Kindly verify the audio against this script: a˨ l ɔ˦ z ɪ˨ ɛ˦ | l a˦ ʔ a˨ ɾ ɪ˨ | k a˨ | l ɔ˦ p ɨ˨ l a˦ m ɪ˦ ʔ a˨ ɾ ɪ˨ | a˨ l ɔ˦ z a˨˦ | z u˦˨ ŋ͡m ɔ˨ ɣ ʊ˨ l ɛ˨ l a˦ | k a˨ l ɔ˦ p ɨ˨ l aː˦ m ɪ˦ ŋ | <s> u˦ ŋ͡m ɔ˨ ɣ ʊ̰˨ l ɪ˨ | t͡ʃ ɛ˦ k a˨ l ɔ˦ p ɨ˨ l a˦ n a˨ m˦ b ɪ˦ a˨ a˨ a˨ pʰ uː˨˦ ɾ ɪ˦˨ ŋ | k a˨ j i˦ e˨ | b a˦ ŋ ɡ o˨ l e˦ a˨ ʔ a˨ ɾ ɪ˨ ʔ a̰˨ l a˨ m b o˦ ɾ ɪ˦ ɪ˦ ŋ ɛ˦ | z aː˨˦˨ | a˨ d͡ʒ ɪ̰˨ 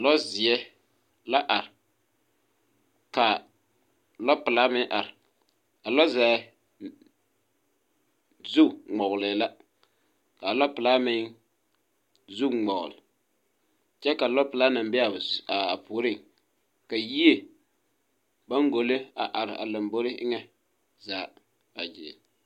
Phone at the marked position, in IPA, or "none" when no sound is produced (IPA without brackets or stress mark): z